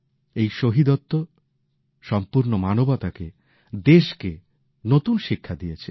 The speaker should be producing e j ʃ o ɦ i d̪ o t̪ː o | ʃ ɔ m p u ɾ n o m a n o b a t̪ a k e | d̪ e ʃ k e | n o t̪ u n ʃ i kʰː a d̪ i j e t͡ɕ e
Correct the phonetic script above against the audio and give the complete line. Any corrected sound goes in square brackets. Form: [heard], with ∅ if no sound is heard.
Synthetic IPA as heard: e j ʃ o ɦ i d̪ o t̪ː o | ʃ ɔ m p u ɾ n o m a n o b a t̪ a k e | d̪ e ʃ k e | n o t̪ u n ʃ i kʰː a d̪ i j e [t͡ɕʰ] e